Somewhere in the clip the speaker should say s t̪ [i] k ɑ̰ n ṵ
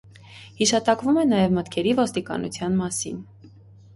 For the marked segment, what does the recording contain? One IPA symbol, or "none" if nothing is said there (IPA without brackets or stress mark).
i